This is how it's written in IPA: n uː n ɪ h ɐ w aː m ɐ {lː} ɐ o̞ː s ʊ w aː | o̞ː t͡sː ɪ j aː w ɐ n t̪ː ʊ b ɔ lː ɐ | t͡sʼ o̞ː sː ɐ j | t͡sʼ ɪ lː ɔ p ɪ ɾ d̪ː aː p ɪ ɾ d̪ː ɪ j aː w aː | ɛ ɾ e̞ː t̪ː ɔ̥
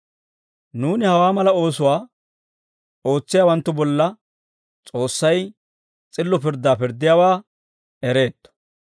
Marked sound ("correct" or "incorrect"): incorrect